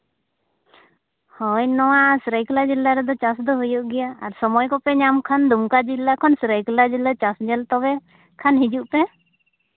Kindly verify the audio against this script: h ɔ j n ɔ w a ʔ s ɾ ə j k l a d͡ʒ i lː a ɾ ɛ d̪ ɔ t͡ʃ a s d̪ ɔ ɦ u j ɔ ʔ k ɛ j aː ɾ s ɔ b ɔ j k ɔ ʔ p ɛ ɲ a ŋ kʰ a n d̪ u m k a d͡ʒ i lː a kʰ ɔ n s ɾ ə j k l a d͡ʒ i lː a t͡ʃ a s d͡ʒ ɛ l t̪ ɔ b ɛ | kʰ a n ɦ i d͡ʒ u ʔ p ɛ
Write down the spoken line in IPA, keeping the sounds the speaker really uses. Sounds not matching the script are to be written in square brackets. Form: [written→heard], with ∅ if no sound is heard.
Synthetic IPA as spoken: h ɔ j n ɔ w a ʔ s ɾ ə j k l a d͡ʒ i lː a ɾ ɛ d̪ ɔ t͡ʃ a s d̪ ɔ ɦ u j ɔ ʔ [k→ɡ] ɛ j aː ɾ s ɔ [b→m] ɔ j k ɔ [ʔ→∅] p ɛ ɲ a [ŋ→m] kʰ a n d̪ u m k a d͡ʒ i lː a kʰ ɔ n s ɾ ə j k l a d͡ʒ i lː a t͡ʃ a s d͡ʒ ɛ l t̪ ɔ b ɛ | kʰ a n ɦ i d͡ʒ u ʔ p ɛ